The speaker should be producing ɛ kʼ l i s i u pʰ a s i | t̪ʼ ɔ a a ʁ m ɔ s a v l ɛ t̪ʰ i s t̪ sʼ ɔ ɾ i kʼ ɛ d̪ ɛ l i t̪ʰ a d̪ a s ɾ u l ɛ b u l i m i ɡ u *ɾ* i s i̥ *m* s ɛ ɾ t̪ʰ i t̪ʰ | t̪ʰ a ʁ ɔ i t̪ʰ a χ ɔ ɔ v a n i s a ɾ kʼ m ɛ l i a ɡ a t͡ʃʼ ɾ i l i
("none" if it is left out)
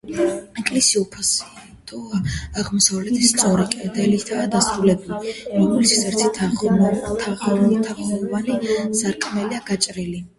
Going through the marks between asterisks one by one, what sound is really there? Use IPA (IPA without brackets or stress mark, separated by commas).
l, none